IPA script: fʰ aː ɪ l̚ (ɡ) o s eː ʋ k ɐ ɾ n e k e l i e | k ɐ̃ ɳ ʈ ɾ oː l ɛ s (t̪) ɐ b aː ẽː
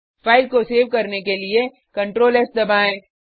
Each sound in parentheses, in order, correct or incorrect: incorrect: k, incorrect: d̪

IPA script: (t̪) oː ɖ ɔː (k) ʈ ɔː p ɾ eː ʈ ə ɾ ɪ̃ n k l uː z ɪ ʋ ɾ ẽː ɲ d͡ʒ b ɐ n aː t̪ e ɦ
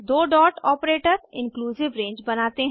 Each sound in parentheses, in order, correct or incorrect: incorrect: d̪, incorrect: none

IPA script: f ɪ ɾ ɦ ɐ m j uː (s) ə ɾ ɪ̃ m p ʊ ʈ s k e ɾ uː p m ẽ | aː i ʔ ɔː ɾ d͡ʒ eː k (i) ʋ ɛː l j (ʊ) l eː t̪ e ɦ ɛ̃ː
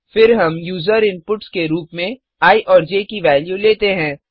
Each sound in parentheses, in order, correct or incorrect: incorrect: z, correct, incorrect: u

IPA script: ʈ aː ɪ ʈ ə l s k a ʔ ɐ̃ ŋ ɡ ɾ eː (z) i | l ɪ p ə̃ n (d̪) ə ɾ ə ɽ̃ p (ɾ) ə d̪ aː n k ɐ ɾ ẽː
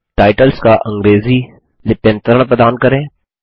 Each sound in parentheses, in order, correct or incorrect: correct, incorrect: t̪, correct

